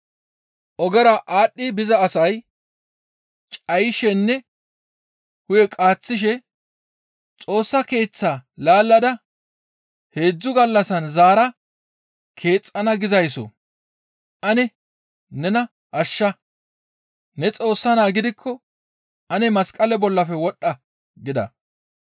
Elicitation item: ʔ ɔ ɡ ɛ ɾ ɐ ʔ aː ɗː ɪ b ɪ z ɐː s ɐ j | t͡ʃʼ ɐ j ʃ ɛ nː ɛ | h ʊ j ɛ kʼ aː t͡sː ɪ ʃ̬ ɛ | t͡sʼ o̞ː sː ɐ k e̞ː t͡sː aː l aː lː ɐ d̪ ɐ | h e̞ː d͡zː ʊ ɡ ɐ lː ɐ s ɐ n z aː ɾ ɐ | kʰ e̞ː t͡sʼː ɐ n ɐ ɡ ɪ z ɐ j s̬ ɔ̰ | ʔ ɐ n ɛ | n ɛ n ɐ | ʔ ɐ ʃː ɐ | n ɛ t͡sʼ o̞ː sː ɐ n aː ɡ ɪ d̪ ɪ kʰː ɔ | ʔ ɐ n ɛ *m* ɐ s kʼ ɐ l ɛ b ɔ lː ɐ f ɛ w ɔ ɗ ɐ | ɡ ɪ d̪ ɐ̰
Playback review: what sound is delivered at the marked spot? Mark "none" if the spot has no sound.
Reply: m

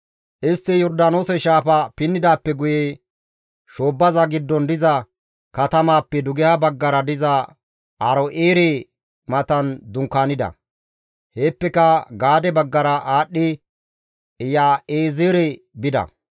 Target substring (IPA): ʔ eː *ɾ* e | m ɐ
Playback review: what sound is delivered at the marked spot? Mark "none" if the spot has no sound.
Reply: ɾ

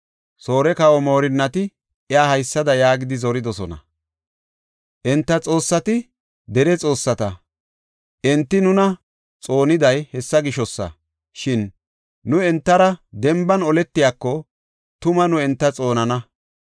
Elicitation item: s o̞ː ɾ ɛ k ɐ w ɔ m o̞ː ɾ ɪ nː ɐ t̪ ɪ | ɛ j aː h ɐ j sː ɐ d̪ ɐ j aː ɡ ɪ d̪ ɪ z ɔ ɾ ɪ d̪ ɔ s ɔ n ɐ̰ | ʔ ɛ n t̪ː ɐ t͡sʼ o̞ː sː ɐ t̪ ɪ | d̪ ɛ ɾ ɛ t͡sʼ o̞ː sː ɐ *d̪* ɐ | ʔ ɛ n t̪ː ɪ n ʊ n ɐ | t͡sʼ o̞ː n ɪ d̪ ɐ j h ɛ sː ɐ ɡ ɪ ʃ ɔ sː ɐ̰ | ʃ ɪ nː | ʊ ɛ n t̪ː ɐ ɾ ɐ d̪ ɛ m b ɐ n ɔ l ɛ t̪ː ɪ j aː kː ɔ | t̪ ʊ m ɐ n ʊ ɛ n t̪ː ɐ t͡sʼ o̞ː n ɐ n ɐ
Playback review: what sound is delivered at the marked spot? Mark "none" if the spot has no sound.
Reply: t̪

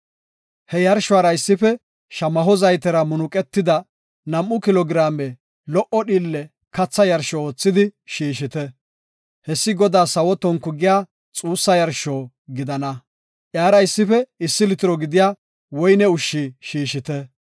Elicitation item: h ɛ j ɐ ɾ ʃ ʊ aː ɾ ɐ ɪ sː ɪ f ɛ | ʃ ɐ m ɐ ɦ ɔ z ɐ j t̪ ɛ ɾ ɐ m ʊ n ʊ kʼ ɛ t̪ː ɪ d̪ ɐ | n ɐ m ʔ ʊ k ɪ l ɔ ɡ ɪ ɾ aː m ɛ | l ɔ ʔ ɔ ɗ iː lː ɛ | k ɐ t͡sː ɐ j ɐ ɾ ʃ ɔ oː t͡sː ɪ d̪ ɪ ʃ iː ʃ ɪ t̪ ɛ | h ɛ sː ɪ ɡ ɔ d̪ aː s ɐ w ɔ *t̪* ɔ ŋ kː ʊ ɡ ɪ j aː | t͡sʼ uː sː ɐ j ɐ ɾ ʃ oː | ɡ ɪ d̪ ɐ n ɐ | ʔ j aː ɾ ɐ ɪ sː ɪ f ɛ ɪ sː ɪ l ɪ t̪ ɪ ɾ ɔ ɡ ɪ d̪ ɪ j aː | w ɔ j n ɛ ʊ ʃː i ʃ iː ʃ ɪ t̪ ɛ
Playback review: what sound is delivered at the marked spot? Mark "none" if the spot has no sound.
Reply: t̪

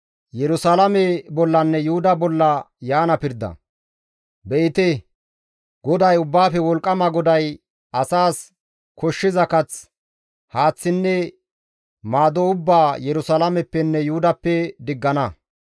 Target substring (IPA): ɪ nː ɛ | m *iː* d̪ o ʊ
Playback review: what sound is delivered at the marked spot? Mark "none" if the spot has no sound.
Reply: aː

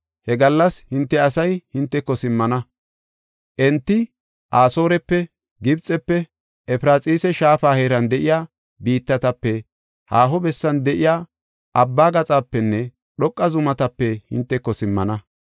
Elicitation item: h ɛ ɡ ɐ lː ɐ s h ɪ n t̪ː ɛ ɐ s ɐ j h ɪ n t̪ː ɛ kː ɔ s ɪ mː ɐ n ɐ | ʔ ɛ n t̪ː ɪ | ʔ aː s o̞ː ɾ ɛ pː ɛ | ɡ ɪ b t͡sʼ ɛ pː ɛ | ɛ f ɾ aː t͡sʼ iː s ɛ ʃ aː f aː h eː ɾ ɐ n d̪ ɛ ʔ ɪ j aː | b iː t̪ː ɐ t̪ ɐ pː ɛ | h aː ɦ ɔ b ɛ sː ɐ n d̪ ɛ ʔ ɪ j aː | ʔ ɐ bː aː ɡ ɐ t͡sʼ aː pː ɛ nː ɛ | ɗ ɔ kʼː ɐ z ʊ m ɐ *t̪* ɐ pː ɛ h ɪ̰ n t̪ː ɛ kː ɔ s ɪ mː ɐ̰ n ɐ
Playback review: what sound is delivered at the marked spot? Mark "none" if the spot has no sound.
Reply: t̪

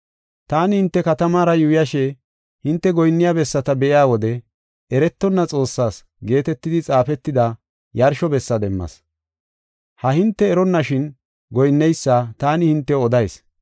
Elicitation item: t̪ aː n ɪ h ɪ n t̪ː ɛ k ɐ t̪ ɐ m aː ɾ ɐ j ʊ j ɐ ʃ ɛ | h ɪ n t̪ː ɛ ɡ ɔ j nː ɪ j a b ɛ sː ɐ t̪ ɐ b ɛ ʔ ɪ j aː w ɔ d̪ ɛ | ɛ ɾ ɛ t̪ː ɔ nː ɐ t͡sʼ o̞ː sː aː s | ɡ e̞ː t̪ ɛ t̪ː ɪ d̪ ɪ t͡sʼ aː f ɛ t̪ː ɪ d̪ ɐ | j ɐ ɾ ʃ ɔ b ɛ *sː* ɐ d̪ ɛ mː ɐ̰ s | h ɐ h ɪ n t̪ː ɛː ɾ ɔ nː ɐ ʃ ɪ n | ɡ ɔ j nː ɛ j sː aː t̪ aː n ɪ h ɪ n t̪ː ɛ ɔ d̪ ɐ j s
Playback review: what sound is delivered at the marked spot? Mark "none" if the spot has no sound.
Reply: sː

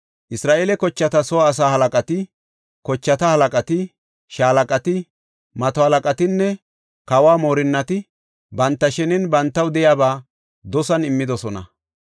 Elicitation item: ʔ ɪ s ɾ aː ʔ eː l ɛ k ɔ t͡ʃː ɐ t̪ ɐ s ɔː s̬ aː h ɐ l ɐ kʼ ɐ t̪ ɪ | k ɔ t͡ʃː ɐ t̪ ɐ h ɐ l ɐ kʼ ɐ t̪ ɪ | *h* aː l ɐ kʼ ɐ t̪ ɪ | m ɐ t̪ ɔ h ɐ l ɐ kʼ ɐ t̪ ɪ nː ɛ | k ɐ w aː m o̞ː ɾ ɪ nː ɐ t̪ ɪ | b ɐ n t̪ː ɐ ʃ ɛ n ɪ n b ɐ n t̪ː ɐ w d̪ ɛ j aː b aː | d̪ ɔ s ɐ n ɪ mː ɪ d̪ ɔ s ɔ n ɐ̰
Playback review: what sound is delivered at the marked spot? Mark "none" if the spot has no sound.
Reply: ʃ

